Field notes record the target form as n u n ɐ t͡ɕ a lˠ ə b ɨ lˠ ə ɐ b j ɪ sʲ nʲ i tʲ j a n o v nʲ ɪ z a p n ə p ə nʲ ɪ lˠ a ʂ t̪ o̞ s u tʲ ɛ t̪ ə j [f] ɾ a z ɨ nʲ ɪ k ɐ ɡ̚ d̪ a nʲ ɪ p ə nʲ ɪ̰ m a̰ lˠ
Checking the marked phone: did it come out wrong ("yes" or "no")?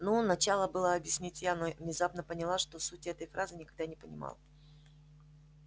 no